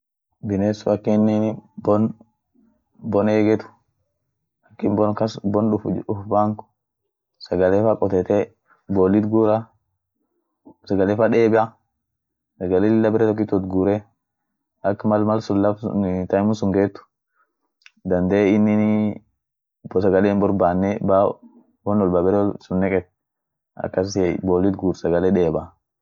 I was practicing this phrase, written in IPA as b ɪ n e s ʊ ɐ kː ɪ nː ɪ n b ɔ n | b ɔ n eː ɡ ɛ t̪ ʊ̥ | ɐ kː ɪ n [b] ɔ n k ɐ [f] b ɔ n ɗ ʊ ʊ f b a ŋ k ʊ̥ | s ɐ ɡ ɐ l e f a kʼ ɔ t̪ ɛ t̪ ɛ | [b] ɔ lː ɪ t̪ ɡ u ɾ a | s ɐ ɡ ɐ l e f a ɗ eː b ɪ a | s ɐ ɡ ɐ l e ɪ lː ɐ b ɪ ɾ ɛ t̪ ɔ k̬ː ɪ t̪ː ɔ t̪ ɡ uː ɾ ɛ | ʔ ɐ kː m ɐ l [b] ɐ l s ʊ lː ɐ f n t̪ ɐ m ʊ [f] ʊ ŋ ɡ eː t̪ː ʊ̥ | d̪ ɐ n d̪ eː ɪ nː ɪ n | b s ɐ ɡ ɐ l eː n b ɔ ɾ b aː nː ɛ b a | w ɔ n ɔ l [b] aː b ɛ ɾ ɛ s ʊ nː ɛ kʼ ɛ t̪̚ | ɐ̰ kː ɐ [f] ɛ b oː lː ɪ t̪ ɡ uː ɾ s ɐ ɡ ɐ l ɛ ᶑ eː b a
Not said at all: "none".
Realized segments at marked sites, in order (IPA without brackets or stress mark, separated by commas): b, s, b, m, s, b, s